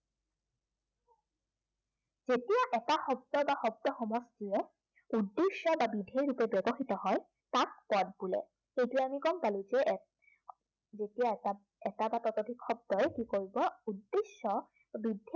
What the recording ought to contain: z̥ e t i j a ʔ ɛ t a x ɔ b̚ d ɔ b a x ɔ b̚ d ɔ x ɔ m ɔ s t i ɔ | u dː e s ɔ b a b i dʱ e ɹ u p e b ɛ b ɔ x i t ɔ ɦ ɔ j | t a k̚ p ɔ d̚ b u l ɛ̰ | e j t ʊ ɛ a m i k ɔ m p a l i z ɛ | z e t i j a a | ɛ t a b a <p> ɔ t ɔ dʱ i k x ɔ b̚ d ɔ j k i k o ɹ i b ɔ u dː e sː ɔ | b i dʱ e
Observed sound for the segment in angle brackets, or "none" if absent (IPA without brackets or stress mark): t